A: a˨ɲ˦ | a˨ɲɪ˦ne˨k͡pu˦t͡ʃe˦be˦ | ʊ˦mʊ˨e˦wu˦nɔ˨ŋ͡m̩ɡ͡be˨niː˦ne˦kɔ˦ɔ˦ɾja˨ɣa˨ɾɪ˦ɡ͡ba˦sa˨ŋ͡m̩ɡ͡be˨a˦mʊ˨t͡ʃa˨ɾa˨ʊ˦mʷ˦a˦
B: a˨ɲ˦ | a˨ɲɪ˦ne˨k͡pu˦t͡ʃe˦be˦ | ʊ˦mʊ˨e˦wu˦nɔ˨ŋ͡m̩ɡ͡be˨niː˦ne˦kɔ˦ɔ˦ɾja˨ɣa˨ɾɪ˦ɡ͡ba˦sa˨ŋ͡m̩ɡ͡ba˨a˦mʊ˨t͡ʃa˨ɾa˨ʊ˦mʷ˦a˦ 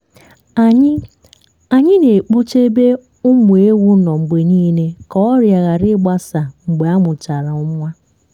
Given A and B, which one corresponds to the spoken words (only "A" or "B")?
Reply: A